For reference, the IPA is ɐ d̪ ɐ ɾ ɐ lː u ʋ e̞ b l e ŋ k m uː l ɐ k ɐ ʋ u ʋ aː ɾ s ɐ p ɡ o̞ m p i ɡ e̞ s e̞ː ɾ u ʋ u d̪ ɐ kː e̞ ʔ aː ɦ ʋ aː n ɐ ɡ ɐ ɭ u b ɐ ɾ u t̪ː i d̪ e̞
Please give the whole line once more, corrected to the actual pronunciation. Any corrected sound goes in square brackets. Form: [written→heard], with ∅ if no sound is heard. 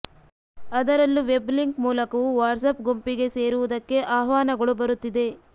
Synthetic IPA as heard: ɐ d̪ ɐ ɾ ɐ lː u ʋ e̞ b l [e→i] ŋ k m uː l ɐ k ɐ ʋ u ʋ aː ɾ s ɐ p ɡ o̞ m p i ɡ e̞ s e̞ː ɾ u ʋ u d̪ ɐ kː e̞ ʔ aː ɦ ʋ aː n ɐ ɡ ɐ ɭ u b ɐ ɾ u t̪ː i d̪ e̞

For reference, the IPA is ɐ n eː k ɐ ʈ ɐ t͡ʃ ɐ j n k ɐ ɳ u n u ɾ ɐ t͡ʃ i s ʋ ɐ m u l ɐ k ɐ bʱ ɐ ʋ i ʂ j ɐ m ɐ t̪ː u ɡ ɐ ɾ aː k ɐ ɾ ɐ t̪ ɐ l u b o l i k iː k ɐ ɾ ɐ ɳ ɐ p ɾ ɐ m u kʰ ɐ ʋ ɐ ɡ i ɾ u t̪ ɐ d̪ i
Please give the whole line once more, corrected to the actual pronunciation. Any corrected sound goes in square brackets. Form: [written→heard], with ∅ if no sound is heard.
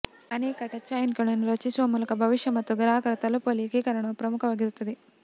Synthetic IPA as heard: ɐ n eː k ɐ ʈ ɐ t͡ʃ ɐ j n k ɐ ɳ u n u ɾ ɐ t͡ʃ i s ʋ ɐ m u l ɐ k ɐ bʱ ɐ ʋ i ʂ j ɐ m ɐ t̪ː u ɡ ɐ ɾ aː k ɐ ɾ ɐ t̪ ɐ l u [b→p] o l i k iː k ɐ ɾ ɐ ɳ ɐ p ɾ ɐ m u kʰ ɐ ʋ ɐ ɡ i ɾ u t̪ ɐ d̪ i

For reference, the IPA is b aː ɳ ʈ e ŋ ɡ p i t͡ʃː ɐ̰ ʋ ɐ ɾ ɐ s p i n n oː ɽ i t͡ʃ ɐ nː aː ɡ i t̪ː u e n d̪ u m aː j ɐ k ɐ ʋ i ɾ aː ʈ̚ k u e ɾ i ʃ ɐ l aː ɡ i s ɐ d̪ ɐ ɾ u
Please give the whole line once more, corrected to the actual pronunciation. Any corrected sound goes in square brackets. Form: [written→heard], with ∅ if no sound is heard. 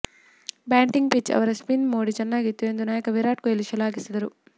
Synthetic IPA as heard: b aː ɳ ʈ [e→i] ŋ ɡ p i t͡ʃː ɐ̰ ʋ ɐ ɾ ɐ s p i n [n→m] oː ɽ i t͡ʃ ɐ nː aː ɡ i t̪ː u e n d̪ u [m→n] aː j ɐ k ɐ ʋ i ɾ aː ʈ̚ k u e [ɾ→l] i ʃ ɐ l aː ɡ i s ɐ d̪ ɐ ɾ u

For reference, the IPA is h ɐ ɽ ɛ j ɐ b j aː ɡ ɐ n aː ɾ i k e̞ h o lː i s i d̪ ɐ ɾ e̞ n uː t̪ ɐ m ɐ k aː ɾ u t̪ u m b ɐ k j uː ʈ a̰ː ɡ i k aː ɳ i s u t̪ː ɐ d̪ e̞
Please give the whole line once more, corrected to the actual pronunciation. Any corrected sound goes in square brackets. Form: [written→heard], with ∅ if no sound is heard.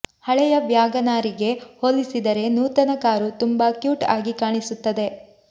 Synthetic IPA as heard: h ɐ [ɽ→ɭ] ɛ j ɐ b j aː ɡ ɐ n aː ɾ i [k→ɡ] e̞ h o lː i s i d̪ ɐ ɾ e̞ n uː t̪ ɐ [m→n] ɐ k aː ɾ u t̪ u m b ɐ k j uː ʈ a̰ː ɡ i k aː ɳ i s u t̪ː ɐ d̪ e̞

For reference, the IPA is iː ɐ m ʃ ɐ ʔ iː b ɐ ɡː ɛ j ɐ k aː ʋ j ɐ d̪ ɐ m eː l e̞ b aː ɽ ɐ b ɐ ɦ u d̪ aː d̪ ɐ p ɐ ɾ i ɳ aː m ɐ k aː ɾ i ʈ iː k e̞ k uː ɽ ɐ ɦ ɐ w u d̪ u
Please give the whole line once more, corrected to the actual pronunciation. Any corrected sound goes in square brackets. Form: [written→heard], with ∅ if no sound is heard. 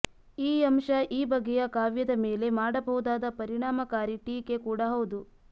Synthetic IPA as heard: iː ɐ m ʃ ɐ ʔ iː b ɐ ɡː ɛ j ɐ k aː ʋ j ɐ d̪ ɐ m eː l e̞ [b→m] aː ɽ ɐ b ɐ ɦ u d̪ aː d̪ ɐ p ɐ ɾ i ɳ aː m ɐ k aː ɾ i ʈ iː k e̞ k uː ɽ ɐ ɦ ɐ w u d̪ u

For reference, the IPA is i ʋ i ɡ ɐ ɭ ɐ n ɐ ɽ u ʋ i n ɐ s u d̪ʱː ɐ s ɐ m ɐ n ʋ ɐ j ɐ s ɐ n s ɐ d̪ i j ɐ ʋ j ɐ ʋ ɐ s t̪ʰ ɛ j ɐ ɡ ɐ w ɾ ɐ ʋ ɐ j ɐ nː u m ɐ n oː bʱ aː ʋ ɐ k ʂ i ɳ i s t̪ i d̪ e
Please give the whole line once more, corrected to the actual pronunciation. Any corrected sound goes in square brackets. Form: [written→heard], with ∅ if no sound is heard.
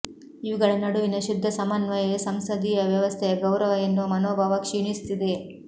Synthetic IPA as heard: i ʋ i ɡ ɐ ɭ ɐ n ɐ ɽ u ʋ i n ɐ [s→ʃ] u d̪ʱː ɐ s ɐ m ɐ n ʋ ɐ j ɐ s ɐ [n→m] s ɐ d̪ i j ɐ ʋ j ɐ ʋ ɐ s t̪ʰ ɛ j ɐ ɡ ɐ w ɾ ɐ ʋ ɐ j ɐ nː u m ɐ n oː bʱ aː ʋ ɐ k ʂ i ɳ i s t̪ i d̪ e

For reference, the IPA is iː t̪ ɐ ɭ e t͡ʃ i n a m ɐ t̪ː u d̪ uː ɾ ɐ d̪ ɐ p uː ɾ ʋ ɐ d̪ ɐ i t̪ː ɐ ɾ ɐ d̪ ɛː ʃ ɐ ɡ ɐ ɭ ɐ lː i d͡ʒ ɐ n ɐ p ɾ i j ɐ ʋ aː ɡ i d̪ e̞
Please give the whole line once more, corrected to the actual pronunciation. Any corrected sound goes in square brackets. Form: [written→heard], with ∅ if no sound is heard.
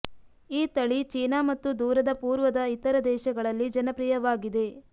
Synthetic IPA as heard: iː t̪ ɐ ɭ [e→i] t͡ʃ [i→iː] n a m ɐ t̪ː u d̪ uː ɾ ɐ d̪ ɐ p uː ɾ ʋ ɐ d̪ ɐ i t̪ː ɐ ɾ ɐ d̪ ɛː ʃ ɐ ɡ ɐ ɭ ɐ lː i d͡ʒ ɐ n ɐ p ɾ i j ɐ ʋ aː ɡ i d̪ e̞

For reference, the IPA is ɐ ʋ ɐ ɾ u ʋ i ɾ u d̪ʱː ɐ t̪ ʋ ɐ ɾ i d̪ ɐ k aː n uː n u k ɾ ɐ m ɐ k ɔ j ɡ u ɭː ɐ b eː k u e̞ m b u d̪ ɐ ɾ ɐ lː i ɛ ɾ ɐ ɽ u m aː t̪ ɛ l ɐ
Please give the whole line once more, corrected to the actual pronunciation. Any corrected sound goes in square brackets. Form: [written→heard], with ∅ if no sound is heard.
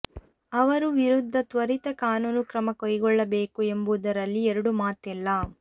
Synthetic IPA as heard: ɐ ʋ ɐ ɾ u ʋ i ɾ u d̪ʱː ɐ t̪ ʋ ɐ ɾ i [d̪→t̪] ɐ k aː n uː n u k ɾ ɐ m ɐ k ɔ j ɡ [u→ɔ] ɭː ɐ b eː k u e̞ m b u d̪ ɐ ɾ ɐ lː i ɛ ɾ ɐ ɽ u m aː t̪ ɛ [l→lː] ɐ

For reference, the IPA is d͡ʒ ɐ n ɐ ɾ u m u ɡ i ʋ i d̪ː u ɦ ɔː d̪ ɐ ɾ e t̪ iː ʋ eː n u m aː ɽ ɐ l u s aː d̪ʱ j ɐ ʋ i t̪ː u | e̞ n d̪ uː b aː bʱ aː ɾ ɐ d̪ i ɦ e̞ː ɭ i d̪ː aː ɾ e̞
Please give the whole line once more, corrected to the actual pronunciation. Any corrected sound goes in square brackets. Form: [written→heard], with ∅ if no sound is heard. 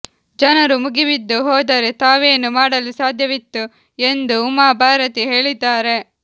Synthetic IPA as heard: d͡ʒ ɐ n ɐ ɾ u m u ɡ i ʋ i d̪ː u ɦ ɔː d̪ ɐ ɾ e t̪ [iː→aː] ʋ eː n u m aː ɽ ɐ l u s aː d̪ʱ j ɐ ʋ i t̪ː u | e̞ n d̪ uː [b→m] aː bʱ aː ɾ ɐ [d̪→t̪] i ɦ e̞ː ɭ i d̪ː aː ɾ e̞

